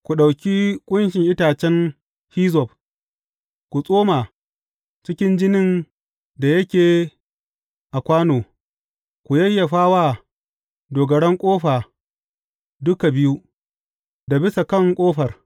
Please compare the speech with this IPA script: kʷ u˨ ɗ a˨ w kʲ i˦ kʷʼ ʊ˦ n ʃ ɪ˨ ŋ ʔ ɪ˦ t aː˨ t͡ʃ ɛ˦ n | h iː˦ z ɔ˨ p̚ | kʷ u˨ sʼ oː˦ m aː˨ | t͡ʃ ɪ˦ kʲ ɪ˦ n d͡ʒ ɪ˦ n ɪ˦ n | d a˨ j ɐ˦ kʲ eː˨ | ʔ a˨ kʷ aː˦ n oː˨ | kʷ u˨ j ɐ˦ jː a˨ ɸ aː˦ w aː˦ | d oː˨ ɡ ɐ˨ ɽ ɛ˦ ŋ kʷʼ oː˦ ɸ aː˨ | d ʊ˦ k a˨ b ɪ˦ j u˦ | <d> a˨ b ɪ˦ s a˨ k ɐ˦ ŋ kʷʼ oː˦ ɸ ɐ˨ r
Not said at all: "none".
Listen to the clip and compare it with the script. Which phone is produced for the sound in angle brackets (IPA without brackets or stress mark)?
d